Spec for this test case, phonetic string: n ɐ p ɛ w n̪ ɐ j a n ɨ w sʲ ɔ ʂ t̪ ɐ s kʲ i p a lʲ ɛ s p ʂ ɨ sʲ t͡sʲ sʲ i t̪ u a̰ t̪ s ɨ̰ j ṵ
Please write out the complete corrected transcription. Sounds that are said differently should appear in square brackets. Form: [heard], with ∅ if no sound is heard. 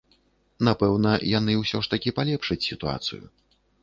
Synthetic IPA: n [a] p ɛ w n̪ ɐ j a n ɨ w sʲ ɔ ʂ t̪ ɐ [∅] kʲ i p a lʲ ɛ [∅] p ʂ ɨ [∅] t͡sʲ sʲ i t̪ u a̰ t̪ s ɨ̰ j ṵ